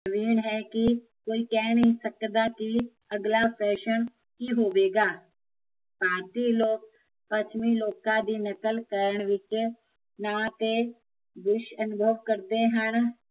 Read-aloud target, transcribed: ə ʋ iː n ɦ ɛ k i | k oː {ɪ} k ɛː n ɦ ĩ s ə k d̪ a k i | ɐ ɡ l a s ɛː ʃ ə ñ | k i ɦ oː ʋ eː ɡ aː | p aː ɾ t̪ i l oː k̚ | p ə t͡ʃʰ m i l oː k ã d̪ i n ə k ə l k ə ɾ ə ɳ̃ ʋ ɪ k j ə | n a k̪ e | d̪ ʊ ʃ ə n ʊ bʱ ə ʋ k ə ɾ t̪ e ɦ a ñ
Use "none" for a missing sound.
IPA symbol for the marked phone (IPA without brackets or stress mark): i